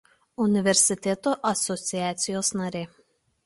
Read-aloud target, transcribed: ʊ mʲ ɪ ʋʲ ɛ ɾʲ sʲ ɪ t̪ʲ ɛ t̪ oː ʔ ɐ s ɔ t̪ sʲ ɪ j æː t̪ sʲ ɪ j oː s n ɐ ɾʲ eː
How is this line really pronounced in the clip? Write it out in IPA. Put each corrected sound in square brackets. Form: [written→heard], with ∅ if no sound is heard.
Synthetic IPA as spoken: ʊ [mʲ→nʲ] ɪ ʋʲ ɛ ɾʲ sʲ ɪ t̪ʲ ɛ t̪ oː ʔ ɐ s ɔ t̪ sʲ ɪ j æː t̪ sʲ ɪ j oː s n ɐ ɾʲ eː